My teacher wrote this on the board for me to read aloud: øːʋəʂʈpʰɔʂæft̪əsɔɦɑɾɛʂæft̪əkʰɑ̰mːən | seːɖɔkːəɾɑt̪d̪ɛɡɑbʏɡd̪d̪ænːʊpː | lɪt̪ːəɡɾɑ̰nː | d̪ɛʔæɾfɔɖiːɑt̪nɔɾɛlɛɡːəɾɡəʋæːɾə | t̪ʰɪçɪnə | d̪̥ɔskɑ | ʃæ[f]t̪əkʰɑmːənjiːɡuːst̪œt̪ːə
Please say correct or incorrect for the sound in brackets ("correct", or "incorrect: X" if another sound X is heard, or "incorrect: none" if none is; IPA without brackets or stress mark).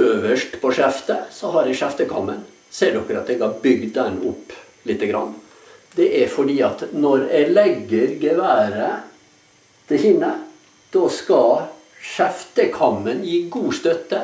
correct